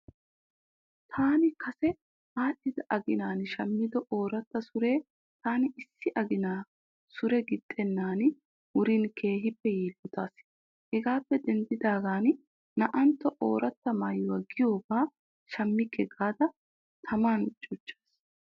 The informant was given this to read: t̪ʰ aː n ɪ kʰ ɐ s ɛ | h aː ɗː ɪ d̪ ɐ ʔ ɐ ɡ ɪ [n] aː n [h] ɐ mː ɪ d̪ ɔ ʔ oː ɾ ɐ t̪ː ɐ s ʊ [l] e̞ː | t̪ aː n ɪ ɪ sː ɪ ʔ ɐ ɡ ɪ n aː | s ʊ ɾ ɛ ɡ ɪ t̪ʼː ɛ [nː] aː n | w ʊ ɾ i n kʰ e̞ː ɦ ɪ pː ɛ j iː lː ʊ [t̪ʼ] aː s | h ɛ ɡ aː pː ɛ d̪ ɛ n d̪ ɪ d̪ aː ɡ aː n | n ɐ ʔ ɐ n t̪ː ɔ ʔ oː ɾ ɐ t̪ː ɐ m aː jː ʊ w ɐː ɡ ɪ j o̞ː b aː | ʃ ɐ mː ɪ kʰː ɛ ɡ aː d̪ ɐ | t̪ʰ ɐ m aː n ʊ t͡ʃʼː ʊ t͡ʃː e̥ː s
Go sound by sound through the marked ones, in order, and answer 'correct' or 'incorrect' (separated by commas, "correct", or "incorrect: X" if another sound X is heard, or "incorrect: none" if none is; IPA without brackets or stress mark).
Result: correct, incorrect: ʃ, incorrect: ɾ, correct, incorrect: t̪